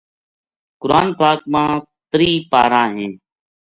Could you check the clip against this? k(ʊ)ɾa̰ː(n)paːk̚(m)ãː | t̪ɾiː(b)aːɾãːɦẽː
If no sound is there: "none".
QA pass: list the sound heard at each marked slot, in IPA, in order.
ʊ, n, m, p

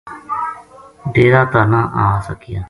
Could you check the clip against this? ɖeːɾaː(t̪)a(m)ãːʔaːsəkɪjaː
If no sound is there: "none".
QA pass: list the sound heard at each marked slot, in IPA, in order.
t̪, n

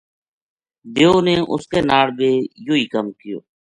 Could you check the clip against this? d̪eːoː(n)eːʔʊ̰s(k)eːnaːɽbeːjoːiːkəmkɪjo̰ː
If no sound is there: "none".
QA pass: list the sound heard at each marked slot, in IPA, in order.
n, k

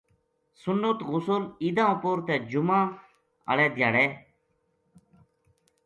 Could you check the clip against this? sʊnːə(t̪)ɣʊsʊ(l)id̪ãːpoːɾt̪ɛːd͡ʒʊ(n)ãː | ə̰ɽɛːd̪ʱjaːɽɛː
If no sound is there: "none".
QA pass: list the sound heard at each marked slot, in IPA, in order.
t̪, l, m

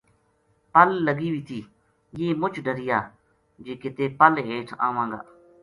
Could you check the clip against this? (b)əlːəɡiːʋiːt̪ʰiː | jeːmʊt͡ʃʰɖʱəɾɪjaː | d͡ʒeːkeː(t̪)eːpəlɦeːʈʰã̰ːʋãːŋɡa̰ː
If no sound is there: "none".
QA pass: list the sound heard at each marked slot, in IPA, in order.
p, t̪

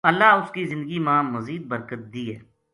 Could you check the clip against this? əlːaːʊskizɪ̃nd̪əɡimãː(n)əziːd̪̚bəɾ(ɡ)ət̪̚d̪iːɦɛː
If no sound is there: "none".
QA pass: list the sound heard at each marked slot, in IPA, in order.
m, k

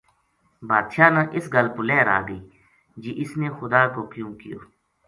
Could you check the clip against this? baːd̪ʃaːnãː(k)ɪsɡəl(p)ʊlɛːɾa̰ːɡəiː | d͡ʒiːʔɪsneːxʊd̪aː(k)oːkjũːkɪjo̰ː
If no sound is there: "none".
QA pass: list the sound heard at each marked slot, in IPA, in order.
ʔ, p, k

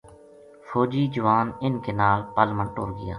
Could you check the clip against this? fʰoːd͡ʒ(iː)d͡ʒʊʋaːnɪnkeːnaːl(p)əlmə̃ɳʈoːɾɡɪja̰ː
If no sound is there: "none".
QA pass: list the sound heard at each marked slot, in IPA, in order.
iː, p

